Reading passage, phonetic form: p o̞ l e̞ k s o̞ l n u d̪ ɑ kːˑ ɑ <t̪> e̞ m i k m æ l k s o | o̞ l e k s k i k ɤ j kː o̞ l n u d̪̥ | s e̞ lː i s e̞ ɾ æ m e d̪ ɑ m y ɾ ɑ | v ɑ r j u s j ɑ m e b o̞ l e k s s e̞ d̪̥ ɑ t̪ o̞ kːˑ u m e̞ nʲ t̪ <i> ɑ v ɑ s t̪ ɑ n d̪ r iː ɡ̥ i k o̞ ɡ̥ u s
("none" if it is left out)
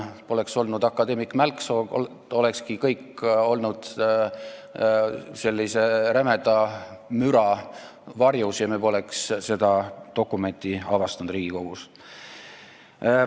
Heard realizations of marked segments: d̪, i

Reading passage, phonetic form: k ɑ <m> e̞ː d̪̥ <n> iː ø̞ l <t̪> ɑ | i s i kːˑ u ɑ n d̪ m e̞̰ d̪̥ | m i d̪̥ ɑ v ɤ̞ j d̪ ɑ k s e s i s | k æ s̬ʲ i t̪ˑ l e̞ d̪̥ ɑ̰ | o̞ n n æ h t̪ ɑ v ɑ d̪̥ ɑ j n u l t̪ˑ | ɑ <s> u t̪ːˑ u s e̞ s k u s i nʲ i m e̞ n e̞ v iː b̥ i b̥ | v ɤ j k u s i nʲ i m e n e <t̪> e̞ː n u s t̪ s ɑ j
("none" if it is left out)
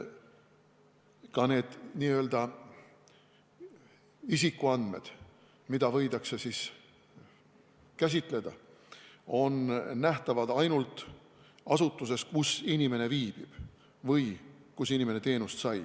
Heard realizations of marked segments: n, n, d̪, s, t̪

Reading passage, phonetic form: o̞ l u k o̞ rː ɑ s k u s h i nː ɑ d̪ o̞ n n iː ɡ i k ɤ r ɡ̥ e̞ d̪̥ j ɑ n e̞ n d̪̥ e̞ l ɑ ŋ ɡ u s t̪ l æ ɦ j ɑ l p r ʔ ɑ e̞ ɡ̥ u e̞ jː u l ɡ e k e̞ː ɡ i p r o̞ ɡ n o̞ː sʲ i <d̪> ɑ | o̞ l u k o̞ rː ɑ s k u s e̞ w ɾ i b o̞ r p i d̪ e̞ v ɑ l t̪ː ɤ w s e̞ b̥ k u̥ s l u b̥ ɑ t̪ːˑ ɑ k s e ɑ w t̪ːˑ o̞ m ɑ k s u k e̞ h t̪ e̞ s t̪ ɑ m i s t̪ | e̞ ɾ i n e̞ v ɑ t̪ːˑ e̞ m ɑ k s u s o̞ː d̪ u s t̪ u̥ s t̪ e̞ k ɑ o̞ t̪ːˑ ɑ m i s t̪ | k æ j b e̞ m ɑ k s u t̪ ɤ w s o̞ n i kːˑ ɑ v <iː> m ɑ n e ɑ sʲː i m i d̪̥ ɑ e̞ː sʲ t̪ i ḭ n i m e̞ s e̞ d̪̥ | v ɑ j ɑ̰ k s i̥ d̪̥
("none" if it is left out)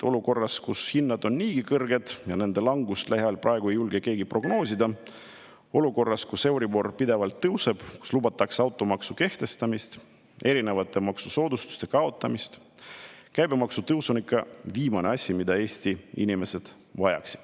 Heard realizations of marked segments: d̪, iː

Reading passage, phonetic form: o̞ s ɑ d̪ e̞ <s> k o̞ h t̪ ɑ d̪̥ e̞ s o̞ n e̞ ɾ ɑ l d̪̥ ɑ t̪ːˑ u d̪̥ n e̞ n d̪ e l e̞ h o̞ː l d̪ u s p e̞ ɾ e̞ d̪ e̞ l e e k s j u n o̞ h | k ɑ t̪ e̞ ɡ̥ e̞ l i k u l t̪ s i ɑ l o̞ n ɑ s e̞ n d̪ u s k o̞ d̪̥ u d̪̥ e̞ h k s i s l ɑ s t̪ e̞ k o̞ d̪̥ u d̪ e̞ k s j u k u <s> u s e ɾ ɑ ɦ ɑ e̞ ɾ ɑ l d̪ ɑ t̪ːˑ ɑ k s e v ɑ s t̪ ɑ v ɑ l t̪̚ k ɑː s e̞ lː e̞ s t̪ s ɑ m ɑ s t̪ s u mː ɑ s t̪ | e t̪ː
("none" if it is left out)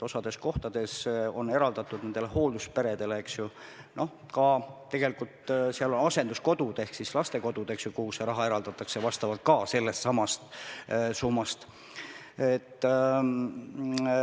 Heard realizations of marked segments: s, h

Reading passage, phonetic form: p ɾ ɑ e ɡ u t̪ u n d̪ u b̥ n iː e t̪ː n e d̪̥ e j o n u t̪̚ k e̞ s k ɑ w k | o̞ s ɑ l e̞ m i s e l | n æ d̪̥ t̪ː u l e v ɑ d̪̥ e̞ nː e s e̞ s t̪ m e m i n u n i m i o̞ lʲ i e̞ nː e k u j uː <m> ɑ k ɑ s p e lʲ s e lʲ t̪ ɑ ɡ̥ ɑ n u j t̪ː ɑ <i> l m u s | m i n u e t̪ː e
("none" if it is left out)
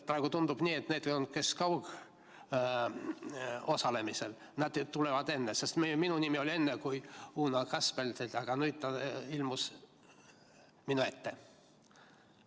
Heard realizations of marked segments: n, i

